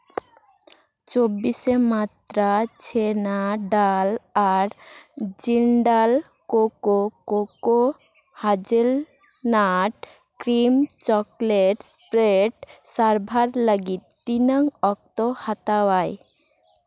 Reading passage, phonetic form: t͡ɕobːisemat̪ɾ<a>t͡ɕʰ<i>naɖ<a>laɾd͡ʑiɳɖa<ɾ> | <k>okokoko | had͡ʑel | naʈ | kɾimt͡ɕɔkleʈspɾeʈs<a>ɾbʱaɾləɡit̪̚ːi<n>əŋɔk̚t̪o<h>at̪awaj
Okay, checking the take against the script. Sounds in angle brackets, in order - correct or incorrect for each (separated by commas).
correct, incorrect, correct, incorrect, correct, correct, correct, correct